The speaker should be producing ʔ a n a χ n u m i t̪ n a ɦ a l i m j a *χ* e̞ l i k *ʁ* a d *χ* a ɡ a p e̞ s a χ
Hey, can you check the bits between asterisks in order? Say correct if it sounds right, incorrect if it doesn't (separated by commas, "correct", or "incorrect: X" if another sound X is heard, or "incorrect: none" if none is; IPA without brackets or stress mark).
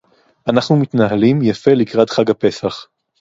incorrect: f, correct, correct